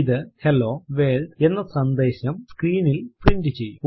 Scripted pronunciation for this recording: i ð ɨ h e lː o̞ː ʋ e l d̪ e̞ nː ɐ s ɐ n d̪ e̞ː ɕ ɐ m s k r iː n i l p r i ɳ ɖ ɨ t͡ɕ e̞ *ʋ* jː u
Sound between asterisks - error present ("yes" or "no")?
yes